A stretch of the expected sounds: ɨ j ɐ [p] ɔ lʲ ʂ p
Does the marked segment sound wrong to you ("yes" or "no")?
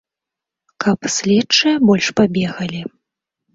yes